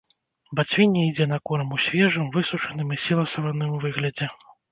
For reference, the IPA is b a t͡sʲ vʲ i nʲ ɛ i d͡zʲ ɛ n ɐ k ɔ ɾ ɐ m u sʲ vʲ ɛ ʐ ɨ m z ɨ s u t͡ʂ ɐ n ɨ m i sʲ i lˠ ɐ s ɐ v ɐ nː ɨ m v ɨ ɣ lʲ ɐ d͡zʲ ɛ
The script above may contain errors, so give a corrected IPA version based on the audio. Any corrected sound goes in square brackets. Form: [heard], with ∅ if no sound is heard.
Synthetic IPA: b a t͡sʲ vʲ i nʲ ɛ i d͡zʲ ɛ n ɐ k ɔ ɾ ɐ m u sʲ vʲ ɛ ʐ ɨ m [v] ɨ s u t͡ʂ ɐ n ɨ m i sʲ i lˠ ɐ s ɐ v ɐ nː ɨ m v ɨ ɣ lʲ ɐ d͡zʲ ɛ